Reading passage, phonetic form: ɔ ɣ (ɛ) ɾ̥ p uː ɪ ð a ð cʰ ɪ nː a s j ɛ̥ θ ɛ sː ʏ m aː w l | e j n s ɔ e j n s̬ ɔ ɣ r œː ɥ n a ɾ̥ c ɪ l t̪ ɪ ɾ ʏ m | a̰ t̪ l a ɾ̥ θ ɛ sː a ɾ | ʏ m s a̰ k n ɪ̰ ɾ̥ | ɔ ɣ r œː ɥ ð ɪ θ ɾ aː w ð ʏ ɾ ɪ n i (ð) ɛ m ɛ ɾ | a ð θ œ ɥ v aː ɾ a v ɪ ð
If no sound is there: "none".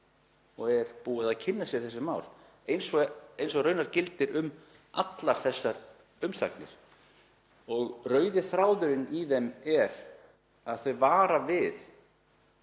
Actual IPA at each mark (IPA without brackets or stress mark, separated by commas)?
ɛ, ð